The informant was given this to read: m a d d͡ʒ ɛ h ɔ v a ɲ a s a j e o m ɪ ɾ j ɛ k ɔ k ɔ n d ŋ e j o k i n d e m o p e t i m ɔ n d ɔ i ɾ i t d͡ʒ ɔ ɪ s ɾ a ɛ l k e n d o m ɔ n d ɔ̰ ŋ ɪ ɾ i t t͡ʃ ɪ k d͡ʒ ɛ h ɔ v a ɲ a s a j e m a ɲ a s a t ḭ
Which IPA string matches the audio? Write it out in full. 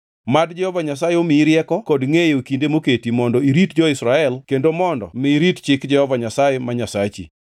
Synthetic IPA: m a d d͡ʒ ɛ h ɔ v a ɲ a s a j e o m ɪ ɾ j ɛ k ɔ k ɔ d ŋ e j o k i n d e m o k e t i m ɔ n d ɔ i ɾ i t d͡ʒ ɔ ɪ s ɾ a ɛ l k e n d o m ɔ n d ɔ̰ m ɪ ɾ i t t͡ʃ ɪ k d͡ʒ ɛ h ɔ v a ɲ a s a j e m a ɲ a s a t͡ʃ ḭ